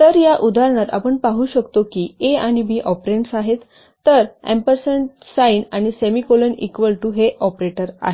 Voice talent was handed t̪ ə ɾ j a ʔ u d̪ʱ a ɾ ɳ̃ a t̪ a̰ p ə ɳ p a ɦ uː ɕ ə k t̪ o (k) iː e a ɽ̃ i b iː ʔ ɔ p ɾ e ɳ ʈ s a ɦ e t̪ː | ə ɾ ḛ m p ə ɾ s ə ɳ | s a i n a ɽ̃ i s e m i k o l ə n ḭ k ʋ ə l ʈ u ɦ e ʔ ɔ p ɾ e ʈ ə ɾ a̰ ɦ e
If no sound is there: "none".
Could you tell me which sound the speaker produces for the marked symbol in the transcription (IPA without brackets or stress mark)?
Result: k